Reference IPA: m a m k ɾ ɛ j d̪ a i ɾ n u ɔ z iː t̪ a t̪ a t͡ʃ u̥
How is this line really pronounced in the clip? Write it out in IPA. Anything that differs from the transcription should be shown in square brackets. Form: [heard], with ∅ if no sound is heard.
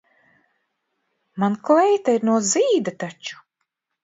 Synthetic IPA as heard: m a [n] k [l] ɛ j [t̪] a i ɾ n u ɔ z iː [d̪] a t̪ a t͡ʃ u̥